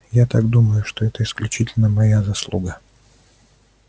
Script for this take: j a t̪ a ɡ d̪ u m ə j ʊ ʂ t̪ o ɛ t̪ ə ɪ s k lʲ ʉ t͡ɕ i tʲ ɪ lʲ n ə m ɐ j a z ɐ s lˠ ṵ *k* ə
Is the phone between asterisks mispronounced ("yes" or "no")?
yes